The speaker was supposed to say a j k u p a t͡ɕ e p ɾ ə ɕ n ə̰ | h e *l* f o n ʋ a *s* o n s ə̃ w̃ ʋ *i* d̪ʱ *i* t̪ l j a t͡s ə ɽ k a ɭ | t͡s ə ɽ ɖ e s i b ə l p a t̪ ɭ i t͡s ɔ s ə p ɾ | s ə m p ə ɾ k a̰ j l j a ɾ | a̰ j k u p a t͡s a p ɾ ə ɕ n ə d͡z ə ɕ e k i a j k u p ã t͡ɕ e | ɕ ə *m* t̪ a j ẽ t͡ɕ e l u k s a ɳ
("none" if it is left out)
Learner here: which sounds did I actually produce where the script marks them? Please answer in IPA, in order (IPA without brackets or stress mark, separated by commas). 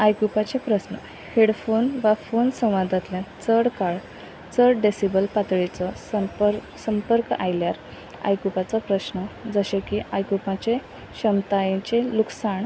ɽ, f, a, a, m